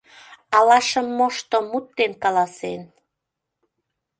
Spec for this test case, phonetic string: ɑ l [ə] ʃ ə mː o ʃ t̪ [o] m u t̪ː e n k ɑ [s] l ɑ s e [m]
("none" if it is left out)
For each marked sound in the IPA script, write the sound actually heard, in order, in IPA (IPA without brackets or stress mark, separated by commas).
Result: ɑ, o, none, n